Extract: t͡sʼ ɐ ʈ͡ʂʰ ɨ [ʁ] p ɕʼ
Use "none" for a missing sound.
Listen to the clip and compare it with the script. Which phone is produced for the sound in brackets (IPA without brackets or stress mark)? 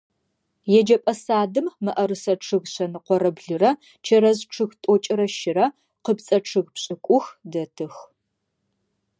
ɣ